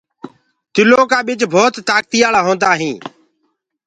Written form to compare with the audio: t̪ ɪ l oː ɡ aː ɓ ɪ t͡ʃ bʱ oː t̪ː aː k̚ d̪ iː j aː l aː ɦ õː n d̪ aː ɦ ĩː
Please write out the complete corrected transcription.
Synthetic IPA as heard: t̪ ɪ l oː k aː ɓ ɪ t͡ʃ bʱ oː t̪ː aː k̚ t̪ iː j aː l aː ɦ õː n d̪ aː ɦ ĩː